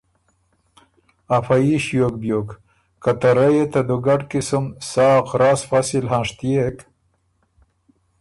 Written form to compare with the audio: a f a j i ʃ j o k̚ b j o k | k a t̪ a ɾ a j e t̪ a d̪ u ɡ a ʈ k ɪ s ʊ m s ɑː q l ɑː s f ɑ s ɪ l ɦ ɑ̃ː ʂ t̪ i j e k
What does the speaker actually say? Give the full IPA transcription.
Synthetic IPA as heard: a f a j i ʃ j o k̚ b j o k | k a t̪ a ɾ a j e t̪ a d̪ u ɡ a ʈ k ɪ s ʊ m s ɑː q ɾ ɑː s f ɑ s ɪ l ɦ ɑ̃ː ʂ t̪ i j e k